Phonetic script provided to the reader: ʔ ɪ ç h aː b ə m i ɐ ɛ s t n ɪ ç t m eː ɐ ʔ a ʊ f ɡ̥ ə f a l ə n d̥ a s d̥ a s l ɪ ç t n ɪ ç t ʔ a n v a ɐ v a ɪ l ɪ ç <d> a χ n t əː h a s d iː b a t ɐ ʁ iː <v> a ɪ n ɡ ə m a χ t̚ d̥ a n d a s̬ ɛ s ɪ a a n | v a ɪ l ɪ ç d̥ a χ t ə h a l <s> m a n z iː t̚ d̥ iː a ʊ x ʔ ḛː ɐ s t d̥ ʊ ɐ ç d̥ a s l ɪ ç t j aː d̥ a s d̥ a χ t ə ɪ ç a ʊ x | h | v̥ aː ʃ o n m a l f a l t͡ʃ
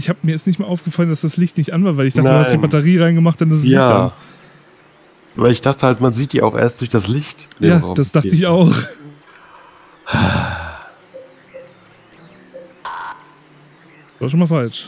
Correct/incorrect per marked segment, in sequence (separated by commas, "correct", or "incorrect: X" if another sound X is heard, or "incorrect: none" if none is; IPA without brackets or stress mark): correct, incorrect: ʁ, incorrect: t